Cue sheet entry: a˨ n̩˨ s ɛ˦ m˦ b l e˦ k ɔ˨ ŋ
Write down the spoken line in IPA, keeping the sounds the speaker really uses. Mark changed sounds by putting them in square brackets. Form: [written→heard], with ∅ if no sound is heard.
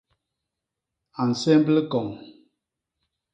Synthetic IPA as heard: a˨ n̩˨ s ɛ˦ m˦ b l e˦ k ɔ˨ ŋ